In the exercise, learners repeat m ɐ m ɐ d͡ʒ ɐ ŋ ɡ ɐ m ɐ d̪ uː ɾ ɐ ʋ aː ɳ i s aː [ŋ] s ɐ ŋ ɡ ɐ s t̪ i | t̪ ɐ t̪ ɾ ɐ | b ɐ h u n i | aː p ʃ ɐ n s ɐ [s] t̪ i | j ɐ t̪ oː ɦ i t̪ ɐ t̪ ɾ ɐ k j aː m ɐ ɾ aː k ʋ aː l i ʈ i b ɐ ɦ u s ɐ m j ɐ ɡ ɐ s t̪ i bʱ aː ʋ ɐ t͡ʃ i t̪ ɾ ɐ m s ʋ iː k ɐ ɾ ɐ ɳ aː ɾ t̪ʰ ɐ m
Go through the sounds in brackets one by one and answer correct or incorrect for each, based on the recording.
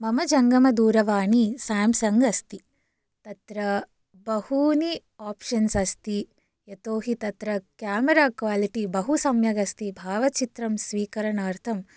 incorrect: m, correct

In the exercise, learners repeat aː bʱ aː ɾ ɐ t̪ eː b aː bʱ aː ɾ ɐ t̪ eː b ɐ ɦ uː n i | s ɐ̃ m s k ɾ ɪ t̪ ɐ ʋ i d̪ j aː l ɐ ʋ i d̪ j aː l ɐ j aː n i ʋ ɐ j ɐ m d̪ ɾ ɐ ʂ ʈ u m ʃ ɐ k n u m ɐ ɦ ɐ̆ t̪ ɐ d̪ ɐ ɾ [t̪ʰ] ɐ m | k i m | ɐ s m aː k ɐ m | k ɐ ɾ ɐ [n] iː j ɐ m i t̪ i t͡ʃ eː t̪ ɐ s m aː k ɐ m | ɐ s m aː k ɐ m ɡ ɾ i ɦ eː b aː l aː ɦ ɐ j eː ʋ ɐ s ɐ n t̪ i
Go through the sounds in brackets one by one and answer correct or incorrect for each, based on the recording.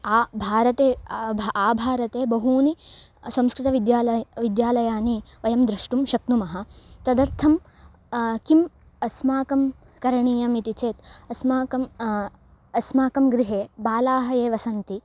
correct, incorrect: ɳ

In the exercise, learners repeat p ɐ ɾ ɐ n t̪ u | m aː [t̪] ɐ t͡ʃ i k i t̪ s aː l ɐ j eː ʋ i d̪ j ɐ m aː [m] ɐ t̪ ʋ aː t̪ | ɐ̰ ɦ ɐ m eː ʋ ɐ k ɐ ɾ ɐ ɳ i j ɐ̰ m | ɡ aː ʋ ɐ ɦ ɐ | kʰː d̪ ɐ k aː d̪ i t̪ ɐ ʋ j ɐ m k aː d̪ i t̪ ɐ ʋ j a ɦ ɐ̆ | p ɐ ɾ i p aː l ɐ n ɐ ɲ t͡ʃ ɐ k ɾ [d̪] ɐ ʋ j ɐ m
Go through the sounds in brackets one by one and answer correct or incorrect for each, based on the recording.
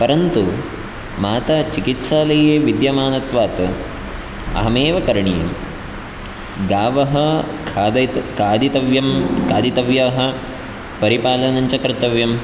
correct, incorrect: n, incorrect: t̪

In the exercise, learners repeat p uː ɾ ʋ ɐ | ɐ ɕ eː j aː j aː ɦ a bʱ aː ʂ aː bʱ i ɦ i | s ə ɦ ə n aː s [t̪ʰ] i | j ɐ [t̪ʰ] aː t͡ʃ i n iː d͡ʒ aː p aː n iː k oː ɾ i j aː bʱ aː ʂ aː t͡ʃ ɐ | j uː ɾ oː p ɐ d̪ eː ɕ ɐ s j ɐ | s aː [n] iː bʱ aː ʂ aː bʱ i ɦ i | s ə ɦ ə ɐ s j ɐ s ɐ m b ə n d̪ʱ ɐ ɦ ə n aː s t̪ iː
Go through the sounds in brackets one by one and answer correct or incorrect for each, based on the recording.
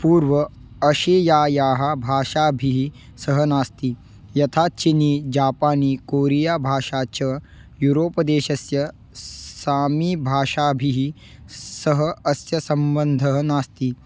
incorrect: t̪, correct, incorrect: m

